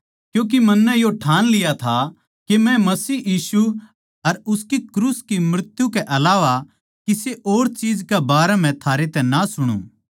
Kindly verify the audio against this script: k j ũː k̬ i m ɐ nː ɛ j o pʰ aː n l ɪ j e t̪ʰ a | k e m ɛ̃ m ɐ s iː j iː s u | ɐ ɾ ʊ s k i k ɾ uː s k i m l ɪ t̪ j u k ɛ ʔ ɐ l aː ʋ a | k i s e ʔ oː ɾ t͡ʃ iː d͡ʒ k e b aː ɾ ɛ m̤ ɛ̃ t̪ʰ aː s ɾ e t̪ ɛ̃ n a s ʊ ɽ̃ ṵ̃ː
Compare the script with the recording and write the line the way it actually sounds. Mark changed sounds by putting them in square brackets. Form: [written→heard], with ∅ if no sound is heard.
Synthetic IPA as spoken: k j ũː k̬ i m ɐ nː ɛ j o [pʰ→ʈʰ] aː n l ɪ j [e→a] t̪ʰ a | k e m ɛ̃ m ɐ s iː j iː s u | ɐ ɾ ʊ s k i k ɾ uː s k i m [l→ɾ] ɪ t̪ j u k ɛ ʔ ɐ l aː ʋ a | k i s e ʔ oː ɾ t͡ʃ iː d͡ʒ k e b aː ɾ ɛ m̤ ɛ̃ t̪ʰ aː [s→∅] ɾ e t̪ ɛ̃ n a s ʊ ɽ̃ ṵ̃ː

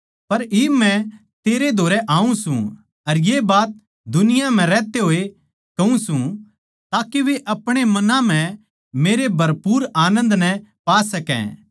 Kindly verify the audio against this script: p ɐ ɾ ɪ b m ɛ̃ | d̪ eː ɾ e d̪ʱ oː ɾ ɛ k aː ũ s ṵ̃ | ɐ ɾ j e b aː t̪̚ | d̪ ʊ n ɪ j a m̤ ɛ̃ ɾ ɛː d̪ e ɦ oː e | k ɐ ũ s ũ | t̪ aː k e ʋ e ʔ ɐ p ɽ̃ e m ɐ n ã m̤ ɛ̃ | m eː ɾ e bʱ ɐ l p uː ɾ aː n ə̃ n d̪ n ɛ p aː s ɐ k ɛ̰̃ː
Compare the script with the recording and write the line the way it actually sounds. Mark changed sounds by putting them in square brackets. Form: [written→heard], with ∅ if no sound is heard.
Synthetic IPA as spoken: p ɐ ɾ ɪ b m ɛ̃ | [d̪→t̪] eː ɾ e d̪ʱ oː ɾ ɛ [k→ʔ] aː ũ s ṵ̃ | ɐ ɾ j e b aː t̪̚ | d̪ ʊ n ɪ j a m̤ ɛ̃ ɾ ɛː [d̪→t̪] e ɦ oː e | k ɐ ũ s ũ | t̪ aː k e ʋ e ʔ ɐ p ɽ̃ e m ɐ n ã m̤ ɛ̃ | m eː ɾ e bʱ ɐ [l→ɾ] p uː ɾ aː n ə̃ n d̪ n ɛ p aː s ɐ k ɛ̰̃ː

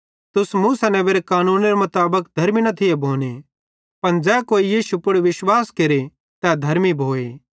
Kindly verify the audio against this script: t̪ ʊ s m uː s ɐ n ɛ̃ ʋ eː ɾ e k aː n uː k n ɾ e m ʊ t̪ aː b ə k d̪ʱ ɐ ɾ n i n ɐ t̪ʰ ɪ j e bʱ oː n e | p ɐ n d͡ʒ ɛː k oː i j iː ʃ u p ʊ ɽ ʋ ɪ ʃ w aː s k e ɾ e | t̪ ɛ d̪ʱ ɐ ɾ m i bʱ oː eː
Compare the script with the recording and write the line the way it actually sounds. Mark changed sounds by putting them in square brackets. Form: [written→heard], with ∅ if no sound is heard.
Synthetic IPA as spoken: t̪ ʊ s m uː s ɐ n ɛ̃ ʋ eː ɾ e k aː n uː [k→∅] n ɾ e m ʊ t̪ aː b ə k d̪ʱ ɐ ɾ [n→m] i n ɐ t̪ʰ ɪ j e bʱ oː n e | p ɐ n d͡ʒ ɛː k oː i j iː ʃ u p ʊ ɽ ʋ ɪ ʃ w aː s k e ɾ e | t̪ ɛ d̪ʱ ɐ ɾ m i bʱ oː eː

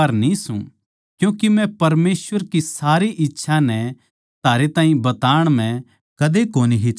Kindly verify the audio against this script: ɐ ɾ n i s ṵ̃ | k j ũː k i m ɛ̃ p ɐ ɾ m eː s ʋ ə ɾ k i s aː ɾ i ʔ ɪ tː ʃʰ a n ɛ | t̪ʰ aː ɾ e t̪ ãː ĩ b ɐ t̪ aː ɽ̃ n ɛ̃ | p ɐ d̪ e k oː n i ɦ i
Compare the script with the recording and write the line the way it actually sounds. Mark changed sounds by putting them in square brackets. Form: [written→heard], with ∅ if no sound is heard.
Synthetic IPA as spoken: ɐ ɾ n i s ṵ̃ | k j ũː k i m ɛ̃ p ɐ ɾ m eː s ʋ ə ɾ k i s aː ɾ i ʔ ɪ tː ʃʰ a n ɛ | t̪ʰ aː ɾ e t̪ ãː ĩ b ɐ t̪ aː ɽ̃ [n→m] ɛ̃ | [p→k] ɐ d̪ e k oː n i ɦ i

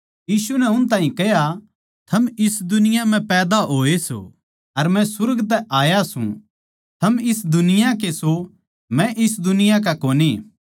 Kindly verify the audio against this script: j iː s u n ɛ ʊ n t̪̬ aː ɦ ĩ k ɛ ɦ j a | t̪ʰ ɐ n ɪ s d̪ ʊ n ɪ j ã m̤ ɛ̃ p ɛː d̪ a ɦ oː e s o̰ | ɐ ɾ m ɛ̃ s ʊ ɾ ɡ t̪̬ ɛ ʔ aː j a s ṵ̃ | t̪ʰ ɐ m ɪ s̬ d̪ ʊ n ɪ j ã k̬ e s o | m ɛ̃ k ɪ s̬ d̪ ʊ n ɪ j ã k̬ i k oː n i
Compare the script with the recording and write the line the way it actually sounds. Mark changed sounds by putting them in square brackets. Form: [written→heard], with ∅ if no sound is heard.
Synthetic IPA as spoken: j iː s u n ɛ ʊ n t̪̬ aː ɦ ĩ k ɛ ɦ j a | t̪ʰ ɐ [n→m] ɪ s d̪ ʊ n ɪ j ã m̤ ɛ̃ p ɛː d̪ a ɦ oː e s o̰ | ɐ ɾ m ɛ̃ s ʊ ɾ ɡ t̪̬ ɛ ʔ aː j a s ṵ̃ | t̪ʰ ɐ m ɪ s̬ d̪ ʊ n ɪ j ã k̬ e s o | m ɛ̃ [k→ʔ] ɪ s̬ d̪ ʊ n ɪ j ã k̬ [i→a] k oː n i

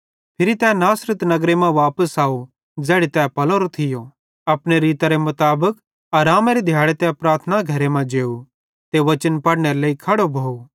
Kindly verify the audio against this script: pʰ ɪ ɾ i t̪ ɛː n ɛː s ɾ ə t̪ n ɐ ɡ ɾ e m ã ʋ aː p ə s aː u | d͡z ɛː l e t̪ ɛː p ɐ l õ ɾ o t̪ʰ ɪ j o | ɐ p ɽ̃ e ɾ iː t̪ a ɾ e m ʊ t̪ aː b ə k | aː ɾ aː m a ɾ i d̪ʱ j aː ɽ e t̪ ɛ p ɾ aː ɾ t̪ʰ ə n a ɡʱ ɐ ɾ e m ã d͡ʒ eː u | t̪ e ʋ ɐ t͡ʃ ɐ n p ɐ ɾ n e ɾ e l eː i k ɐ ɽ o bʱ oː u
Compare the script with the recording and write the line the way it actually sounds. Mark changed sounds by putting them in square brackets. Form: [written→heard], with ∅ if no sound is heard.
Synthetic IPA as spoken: pʰ ɪ ɾ i t̪ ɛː n [ɛː→aː] s ɾ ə t̪ n ɐ ɡ ɾ e m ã ʋ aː p ə s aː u | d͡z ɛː [l→ɽ] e t̪ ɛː p ɐ l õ ɾ o t̪ʰ ɪ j o | ɐ p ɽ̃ e ɾ iː t̪ a ɾ e m ʊ t̪ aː b ə k | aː ɾ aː m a ɾ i d̪ʱ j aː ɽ e t̪ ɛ p ɾ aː ɾ t̪ʰ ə n a ɡʱ ɐ ɾ e m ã d͡ʒ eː u | t̪ e ʋ ɐ t͡ʃ [ɐ→ə] n p ɐ [ɾ→ɽ] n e ɾ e l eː i [k→kʰ] ɐ ɽ o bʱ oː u

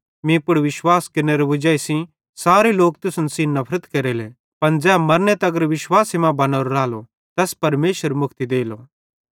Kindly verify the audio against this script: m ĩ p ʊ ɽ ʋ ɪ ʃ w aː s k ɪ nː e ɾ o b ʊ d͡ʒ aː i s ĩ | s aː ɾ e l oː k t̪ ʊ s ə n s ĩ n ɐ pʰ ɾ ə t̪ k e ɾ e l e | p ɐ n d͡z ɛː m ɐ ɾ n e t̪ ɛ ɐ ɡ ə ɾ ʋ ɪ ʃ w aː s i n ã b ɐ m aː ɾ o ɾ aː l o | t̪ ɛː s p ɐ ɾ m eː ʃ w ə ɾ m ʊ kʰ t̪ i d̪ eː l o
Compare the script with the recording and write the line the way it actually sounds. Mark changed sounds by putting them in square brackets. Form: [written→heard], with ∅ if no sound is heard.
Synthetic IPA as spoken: m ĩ p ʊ ɽ ʋ ɪ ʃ w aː s k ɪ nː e ɾ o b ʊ d͡ʒ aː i s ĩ | s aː ɾ e l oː k t̪ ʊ s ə n s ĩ n ɐ pʰ ɾ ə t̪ k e ɾ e l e | p ɐ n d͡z ɛː m ɐ ɾ n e t̪ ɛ ɐ ɡ ə ɾ ʋ ɪ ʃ w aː s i [n→m] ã b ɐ [m→n] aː ɾ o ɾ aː l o | t̪ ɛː s p ɐ ɾ m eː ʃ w ə ɾ m ʊ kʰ t̪ i d̪ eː l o

